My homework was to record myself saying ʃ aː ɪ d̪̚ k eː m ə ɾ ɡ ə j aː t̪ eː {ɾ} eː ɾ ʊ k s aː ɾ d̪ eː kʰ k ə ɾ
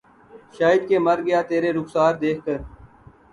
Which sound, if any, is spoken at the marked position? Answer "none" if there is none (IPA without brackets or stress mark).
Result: ɾ